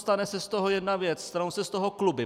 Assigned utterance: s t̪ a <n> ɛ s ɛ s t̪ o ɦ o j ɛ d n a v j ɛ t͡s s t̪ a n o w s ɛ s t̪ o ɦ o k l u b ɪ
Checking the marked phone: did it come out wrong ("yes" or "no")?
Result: no